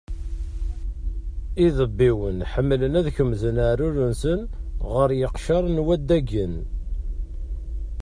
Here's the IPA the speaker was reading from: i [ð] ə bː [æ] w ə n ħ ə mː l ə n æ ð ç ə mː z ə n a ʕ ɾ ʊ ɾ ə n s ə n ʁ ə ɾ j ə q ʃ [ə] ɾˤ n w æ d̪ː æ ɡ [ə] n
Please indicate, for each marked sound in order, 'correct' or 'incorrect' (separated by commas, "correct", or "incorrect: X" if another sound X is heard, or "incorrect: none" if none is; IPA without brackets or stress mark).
correct, incorrect: i, incorrect: ɑ, correct